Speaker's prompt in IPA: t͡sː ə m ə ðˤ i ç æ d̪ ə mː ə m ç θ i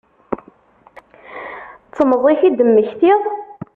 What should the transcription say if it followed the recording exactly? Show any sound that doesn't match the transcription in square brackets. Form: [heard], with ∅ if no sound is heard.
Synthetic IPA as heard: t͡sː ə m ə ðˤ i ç [i] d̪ ə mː ə [∅] ç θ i